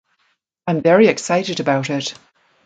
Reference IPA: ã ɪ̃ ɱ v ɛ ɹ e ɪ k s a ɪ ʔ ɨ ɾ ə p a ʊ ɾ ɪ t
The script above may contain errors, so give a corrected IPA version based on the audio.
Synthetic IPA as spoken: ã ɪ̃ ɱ v ɛ ɹ i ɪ k s a ɪ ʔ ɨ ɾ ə b a ʊ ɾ ɪ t